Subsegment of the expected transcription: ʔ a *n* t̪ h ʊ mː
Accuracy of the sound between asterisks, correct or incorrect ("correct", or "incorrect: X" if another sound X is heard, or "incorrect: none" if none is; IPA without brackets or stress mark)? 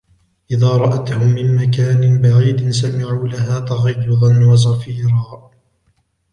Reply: incorrect: none